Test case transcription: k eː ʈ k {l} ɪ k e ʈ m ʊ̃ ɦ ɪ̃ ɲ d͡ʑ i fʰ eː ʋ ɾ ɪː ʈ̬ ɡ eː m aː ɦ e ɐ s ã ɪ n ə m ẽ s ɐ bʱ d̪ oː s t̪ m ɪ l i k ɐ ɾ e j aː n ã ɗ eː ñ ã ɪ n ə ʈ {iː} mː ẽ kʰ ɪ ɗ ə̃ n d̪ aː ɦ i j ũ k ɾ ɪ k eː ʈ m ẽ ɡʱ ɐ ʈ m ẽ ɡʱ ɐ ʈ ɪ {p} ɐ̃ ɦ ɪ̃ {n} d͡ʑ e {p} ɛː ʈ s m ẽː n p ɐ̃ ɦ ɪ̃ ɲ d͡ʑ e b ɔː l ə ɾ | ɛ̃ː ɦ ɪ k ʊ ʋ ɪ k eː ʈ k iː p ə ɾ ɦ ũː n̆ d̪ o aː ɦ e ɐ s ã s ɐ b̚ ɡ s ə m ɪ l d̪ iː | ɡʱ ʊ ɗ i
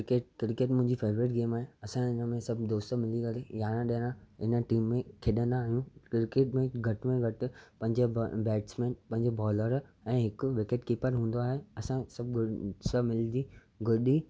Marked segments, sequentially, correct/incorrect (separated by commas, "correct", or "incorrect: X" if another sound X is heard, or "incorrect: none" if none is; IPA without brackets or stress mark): incorrect: ɾ, correct, correct, incorrect: ɲ, incorrect: b